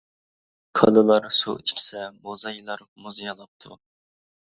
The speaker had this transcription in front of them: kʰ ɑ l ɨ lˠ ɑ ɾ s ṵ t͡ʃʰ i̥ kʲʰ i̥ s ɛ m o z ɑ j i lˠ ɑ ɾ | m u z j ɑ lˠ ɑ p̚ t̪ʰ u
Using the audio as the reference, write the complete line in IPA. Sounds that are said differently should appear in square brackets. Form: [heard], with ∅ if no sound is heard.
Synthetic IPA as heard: kʰ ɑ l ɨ lˠ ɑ ɾ s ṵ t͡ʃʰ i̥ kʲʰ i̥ s ɛ m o z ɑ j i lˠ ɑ ɾ | m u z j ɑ lˠ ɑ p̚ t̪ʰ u

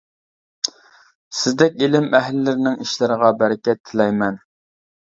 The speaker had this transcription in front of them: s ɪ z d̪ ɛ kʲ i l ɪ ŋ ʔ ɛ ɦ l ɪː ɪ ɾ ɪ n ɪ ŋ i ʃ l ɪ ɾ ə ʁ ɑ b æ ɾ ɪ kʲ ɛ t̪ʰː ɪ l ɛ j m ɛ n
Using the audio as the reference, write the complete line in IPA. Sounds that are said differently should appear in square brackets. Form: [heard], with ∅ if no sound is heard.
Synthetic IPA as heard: s ɪ z d̪ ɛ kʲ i l ɪ [m] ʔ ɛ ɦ l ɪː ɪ ɾ ɪ n ɪ ŋ i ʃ l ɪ ɾ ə ʁ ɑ b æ ɾ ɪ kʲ ɛ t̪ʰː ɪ l ɛ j m ɛ n

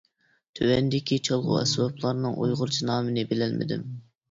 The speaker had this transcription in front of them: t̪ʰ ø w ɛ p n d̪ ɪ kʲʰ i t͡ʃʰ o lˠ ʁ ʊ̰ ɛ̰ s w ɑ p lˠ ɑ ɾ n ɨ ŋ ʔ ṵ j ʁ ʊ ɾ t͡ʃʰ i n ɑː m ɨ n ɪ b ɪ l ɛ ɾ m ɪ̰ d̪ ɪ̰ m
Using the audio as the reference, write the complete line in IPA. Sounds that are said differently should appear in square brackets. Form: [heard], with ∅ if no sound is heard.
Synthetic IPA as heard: t̪ʰ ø w ɛ [∅] n d̪ ɪ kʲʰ i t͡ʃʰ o lˠ ʁ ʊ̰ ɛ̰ s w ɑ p lˠ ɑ ɾ n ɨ ŋ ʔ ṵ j ʁ ʊ ɾ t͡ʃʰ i n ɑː m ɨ n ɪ b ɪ l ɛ [l] m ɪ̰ d̪ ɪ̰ m

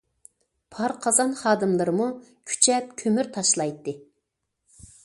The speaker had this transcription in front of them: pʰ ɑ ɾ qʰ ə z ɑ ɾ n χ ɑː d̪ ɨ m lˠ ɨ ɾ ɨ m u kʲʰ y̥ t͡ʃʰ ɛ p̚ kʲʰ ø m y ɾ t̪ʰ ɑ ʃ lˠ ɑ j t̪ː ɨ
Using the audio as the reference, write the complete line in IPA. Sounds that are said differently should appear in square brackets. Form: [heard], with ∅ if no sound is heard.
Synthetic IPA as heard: pʰ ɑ ɾ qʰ [ɑ] z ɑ [∅] n χ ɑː d̪ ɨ m lˠ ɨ ɾ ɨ m u kʲʰ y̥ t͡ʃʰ ɛ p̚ kʲʰ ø m y ɾ t̪ʰ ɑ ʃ lˠ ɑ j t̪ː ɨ

